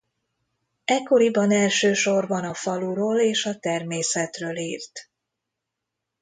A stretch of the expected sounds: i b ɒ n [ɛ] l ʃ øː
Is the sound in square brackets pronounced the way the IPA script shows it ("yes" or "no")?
yes